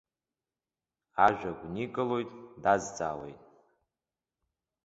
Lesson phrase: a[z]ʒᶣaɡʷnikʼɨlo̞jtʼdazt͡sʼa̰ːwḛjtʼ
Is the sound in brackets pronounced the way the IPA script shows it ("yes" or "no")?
no